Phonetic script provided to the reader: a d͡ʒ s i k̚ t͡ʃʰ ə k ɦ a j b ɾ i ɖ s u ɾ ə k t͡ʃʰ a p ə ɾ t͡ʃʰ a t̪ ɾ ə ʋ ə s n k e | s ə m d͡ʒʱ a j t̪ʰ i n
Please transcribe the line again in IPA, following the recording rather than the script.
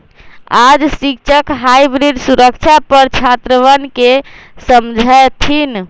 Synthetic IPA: a d͡ʒ s i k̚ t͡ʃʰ ə k ɦ a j b ɾ i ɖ s u ɾ ə k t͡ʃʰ a p ə ɾ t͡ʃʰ a t̪ ɾ ə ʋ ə n k e | s ə m d͡ʒʱ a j t̪ʰ i n